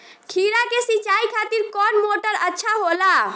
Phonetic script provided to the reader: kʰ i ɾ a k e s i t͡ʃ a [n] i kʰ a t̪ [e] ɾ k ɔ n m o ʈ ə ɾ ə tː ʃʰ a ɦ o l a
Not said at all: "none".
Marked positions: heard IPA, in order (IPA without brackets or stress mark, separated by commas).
none, i